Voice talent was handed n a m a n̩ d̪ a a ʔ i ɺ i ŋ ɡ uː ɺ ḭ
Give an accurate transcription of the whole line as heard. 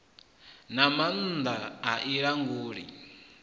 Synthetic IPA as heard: n a m a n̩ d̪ a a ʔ i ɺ a ŋ ɡ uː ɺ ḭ